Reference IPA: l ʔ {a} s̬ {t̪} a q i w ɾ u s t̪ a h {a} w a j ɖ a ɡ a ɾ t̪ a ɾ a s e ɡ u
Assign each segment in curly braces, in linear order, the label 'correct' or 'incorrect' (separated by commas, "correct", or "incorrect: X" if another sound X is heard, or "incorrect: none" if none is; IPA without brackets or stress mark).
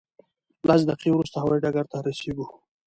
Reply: correct, incorrect: d̪, correct